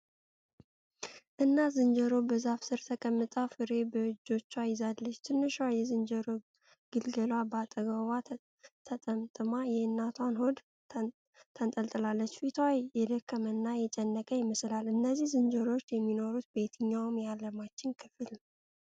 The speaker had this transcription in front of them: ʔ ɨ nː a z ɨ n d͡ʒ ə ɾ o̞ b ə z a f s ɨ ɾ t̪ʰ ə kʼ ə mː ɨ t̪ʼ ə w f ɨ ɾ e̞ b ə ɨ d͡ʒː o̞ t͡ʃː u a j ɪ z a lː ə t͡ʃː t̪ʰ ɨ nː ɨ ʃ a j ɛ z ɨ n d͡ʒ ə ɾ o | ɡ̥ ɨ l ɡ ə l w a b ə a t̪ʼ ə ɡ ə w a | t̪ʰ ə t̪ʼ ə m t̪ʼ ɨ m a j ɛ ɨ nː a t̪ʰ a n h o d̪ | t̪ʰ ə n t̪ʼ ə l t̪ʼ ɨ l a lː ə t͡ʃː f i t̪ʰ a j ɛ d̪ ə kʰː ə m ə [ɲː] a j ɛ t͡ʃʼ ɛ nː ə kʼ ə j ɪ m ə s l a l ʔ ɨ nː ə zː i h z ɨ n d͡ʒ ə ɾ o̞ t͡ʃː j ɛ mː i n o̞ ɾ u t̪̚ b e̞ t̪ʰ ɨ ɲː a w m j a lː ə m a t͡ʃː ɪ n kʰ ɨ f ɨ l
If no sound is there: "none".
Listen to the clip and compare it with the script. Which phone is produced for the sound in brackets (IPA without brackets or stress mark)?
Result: nː